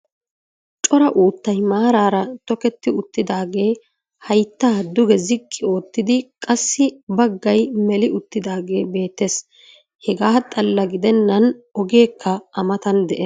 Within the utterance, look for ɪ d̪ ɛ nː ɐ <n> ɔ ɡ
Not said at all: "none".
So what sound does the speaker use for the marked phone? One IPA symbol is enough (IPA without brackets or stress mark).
n